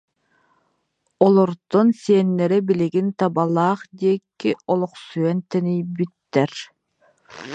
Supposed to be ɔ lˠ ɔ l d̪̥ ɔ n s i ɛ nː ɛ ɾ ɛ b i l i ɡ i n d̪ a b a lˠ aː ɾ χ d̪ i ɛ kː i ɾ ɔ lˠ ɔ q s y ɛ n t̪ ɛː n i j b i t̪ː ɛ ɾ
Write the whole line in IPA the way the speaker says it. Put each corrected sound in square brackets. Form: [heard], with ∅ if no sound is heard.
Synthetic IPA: ɔ lˠ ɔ [ɾ] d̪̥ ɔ n s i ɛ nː ɛ ɾ ɛ b i l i ɡ i n [t̪] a b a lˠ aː [∅] χ d̪ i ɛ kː i [∅] ɔ lˠ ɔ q s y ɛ n t̪ [ɛ] n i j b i t̪ː ɛ ɾ